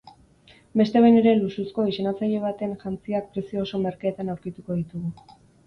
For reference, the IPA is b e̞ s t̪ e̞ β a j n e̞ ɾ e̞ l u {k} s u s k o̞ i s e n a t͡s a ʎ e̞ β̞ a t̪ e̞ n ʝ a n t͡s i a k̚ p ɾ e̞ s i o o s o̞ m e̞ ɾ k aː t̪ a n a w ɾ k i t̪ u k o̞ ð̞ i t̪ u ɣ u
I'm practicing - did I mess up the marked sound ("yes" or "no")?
yes